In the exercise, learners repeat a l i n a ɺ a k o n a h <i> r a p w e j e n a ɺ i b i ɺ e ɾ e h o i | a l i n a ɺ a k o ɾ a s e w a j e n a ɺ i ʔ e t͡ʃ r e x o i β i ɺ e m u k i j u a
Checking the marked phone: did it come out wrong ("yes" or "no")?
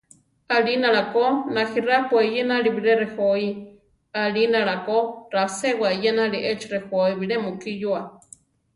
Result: no